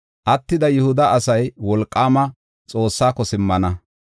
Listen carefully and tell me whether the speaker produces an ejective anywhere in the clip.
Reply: yes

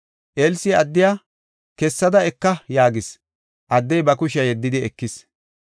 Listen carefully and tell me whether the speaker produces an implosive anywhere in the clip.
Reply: no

